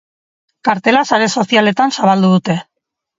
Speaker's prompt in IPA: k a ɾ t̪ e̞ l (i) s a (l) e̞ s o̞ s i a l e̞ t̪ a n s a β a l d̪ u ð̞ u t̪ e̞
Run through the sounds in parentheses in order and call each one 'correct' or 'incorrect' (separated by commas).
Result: incorrect, incorrect